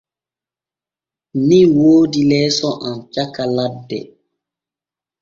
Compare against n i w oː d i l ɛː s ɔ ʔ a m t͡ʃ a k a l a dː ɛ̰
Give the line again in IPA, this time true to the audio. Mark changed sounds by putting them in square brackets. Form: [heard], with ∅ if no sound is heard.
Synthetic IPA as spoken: n i w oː d i l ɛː s ɔ ʔ a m t͡ʃ a k a l a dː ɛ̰